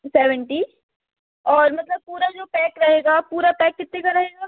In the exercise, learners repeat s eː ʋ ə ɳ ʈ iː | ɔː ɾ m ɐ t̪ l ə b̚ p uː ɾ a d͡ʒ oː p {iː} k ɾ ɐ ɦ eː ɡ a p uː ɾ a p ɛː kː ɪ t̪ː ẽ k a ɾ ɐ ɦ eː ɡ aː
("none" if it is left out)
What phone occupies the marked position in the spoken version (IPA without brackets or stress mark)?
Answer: ɛː